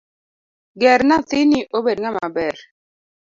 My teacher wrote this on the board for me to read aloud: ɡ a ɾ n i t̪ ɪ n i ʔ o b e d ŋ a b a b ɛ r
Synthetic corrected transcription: ɡ ɛ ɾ n a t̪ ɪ n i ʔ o b e d ŋ a m a b ɛ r